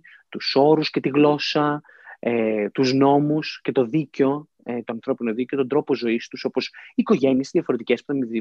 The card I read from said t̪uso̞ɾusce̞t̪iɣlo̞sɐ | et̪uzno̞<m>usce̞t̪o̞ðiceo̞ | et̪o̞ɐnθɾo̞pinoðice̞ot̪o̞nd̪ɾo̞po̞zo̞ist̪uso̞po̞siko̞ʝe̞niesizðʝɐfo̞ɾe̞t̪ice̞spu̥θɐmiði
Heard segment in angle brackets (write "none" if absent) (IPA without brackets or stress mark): m